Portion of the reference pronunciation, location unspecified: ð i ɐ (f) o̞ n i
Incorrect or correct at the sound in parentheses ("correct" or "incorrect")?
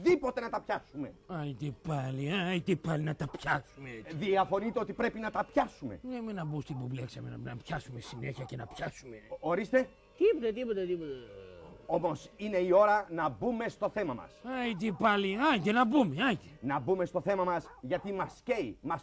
correct